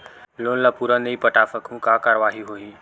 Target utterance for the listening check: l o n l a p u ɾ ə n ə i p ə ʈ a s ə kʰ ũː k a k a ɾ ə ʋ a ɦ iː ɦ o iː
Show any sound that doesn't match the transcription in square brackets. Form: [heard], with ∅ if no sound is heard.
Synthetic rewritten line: l o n l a p u ɾ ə n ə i p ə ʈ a [f] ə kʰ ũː k a k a ɾ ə ʋ a ɦ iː ɦ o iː